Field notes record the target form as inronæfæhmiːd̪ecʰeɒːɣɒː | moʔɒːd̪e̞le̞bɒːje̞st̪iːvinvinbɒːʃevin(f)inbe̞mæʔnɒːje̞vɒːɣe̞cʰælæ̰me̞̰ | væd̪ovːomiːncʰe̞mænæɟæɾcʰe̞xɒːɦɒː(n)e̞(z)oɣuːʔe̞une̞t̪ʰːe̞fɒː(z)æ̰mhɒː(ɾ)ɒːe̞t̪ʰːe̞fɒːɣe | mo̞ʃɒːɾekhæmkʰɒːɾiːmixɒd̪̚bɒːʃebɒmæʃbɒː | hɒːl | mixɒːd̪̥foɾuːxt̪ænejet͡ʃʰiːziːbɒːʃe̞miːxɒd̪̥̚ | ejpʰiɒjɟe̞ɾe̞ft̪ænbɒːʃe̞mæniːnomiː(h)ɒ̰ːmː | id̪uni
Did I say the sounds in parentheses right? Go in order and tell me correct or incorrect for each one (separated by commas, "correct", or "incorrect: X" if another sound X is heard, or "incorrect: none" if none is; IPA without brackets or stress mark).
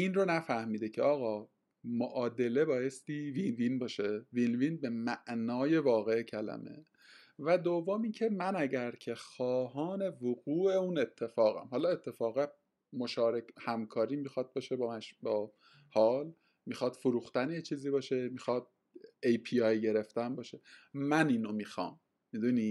incorrect: v, correct, incorrect: v, incorrect: ɣ, incorrect: l, incorrect: x